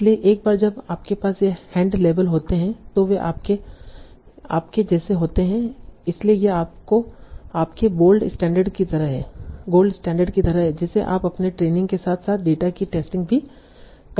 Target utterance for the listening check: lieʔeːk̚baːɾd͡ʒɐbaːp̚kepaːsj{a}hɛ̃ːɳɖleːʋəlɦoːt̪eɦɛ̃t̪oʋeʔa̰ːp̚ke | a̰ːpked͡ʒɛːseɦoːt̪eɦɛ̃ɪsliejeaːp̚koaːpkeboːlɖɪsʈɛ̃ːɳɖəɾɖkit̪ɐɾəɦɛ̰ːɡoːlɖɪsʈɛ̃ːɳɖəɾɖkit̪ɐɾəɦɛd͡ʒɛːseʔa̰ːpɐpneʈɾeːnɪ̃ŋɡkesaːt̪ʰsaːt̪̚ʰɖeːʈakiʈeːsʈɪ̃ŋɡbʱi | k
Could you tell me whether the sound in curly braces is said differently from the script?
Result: yes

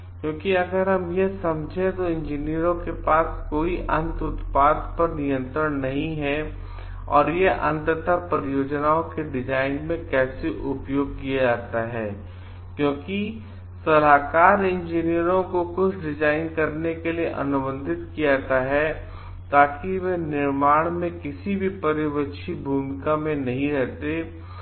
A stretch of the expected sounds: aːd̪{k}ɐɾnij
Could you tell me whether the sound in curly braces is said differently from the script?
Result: yes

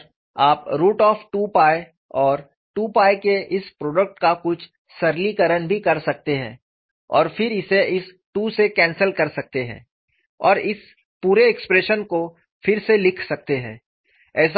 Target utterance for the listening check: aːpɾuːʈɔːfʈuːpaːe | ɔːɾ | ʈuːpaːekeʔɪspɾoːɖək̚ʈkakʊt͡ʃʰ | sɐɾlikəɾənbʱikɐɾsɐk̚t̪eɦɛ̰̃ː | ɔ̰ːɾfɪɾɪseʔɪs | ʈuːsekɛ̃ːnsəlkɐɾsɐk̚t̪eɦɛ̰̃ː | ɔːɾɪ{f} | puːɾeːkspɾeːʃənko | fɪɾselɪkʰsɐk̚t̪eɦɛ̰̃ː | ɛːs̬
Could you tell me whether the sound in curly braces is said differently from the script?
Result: yes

